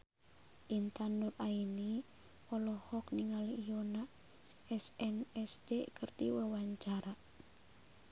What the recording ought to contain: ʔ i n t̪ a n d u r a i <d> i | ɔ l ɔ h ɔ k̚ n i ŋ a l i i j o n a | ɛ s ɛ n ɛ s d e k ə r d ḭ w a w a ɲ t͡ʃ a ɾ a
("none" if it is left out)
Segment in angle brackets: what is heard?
n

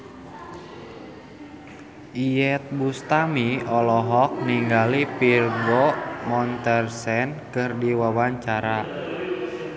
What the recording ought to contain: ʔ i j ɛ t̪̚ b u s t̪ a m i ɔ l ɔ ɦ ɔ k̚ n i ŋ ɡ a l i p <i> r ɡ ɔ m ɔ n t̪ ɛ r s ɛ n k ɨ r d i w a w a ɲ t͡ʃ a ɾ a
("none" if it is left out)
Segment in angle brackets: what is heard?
i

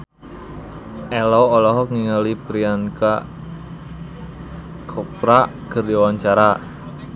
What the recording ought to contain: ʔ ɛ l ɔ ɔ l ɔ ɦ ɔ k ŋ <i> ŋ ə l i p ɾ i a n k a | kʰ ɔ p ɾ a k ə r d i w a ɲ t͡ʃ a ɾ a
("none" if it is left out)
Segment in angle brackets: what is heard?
i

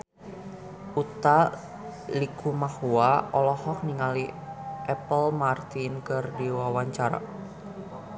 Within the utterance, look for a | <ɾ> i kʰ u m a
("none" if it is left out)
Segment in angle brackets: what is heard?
l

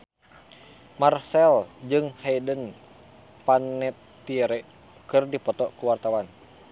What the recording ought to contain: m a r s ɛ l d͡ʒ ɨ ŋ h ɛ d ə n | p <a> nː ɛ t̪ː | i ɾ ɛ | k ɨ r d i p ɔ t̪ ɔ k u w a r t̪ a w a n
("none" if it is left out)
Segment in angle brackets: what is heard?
a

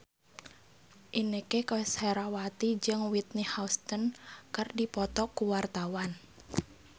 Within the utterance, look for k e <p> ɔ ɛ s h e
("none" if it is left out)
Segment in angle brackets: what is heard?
k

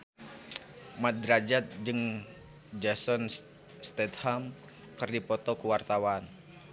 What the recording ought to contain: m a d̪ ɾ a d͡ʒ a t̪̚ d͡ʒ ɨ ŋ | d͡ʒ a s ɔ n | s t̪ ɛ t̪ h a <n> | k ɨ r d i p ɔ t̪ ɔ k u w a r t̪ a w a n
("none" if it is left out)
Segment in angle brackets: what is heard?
m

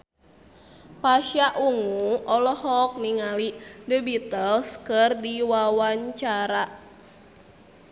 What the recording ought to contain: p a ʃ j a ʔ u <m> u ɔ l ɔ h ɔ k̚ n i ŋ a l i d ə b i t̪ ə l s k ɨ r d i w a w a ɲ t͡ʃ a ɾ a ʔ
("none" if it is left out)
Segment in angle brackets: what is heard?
ŋ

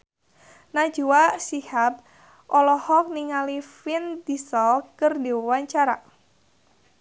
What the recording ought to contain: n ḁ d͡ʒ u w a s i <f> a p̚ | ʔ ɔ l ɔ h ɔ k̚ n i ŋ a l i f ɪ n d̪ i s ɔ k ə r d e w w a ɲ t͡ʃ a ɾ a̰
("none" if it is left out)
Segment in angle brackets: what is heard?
h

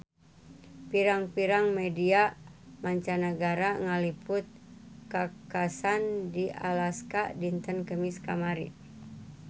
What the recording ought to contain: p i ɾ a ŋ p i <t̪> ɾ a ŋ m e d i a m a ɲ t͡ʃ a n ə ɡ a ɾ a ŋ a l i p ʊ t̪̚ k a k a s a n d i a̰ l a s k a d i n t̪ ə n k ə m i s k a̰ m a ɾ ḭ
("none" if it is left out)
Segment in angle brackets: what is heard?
none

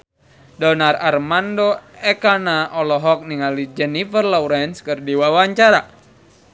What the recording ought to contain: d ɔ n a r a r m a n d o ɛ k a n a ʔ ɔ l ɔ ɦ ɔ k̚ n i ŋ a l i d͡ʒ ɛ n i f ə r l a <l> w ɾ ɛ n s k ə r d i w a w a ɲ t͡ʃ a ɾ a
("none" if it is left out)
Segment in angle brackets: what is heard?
none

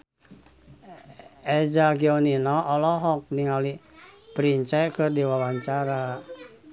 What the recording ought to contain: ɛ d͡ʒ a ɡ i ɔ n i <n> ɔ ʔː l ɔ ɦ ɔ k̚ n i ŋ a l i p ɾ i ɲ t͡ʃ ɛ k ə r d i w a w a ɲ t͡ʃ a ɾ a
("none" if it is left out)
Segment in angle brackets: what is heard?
n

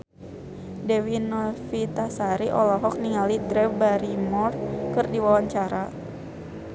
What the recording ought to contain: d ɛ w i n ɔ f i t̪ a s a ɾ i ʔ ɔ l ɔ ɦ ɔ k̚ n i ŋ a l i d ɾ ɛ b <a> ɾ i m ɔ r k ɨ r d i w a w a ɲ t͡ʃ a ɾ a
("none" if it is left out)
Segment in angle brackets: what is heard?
a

